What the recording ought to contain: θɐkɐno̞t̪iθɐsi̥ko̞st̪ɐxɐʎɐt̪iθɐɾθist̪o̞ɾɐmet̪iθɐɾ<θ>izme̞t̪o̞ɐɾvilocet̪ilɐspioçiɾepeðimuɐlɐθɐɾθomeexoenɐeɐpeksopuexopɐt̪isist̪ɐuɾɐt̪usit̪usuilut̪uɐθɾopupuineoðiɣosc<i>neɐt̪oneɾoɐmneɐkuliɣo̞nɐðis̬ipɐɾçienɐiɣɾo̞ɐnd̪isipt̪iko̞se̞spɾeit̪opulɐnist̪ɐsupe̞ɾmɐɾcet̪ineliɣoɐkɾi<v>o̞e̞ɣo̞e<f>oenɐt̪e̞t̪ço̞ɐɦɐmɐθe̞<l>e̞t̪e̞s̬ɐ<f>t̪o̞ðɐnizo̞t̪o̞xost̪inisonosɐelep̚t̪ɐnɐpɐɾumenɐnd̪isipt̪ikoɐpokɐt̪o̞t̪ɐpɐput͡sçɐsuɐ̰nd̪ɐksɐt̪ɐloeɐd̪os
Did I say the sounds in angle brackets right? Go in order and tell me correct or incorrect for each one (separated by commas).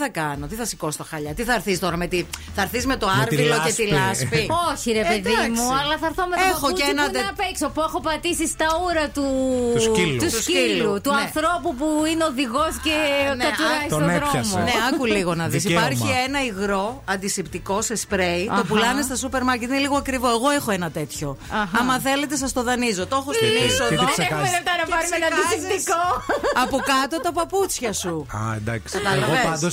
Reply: correct, incorrect, correct, incorrect, correct, incorrect